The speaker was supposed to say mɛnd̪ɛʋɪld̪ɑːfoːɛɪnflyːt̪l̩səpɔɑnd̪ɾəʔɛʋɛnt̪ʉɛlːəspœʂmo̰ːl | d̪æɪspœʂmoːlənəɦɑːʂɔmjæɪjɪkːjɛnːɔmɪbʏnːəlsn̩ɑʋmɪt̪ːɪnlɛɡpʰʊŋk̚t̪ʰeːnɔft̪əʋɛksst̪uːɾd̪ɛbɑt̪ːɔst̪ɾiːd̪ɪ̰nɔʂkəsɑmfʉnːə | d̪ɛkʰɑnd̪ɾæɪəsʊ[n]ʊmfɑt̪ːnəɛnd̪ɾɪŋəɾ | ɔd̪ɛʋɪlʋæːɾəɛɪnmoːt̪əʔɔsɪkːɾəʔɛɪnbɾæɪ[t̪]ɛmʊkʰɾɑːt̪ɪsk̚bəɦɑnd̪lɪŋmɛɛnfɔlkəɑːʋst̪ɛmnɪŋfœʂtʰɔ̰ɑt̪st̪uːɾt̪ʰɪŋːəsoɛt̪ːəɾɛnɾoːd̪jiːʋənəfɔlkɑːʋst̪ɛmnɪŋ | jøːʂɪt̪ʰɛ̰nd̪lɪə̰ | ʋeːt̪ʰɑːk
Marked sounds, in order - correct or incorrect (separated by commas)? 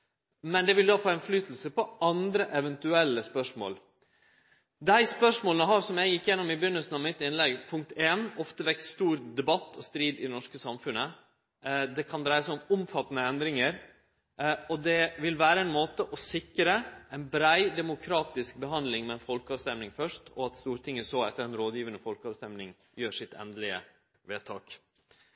incorrect, incorrect